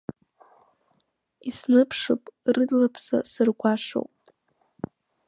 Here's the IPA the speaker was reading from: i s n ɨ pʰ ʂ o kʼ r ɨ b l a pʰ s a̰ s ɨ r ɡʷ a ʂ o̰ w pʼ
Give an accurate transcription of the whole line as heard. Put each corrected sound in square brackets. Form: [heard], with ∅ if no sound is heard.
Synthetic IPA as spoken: i s n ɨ pʰ ʂ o [pʼ] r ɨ [d] l a pʰ s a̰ s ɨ r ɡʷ a ʂ o̰ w pʼ